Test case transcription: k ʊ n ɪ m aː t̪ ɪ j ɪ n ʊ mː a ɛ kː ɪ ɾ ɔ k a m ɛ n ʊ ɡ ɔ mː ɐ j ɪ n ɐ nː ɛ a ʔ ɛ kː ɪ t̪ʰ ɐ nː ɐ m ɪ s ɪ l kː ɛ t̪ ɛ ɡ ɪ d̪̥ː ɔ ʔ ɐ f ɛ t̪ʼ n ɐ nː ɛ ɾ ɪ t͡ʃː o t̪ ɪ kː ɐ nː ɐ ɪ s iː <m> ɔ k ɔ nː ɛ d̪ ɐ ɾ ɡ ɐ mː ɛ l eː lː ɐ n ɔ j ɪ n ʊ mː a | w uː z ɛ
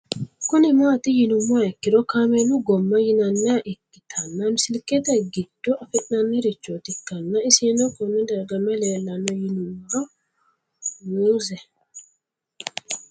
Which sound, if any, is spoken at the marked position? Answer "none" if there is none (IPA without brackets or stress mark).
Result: n